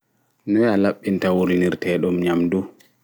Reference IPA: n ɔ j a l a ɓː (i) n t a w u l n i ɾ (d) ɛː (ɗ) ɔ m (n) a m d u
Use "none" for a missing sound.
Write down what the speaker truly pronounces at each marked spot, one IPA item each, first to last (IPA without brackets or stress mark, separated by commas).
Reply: i, t, ɗ, ɲ